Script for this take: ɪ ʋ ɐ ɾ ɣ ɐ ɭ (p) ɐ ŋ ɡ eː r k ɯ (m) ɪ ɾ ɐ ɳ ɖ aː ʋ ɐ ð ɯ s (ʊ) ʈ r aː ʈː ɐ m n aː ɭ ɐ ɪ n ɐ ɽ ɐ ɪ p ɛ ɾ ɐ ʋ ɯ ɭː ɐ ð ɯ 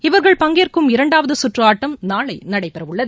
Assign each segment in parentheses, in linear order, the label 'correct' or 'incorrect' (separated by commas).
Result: correct, correct, correct